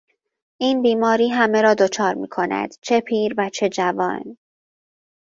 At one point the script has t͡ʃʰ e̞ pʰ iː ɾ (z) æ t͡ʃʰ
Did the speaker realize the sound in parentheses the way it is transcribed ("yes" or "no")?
no